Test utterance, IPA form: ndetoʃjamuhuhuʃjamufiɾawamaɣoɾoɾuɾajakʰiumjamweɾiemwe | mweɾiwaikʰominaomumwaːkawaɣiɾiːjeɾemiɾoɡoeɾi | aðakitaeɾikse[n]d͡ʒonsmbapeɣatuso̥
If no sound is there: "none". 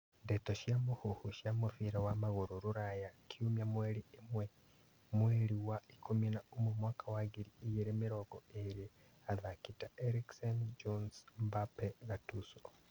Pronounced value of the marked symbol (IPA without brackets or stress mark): n